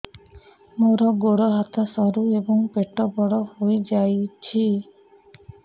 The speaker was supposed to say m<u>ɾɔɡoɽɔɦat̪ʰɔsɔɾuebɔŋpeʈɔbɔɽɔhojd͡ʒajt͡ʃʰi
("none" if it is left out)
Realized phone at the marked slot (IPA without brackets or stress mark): o